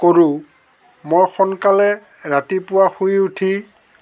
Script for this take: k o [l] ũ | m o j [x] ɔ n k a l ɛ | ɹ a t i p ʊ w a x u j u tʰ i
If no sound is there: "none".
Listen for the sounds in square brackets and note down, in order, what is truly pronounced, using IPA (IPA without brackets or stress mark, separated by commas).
ɹ, x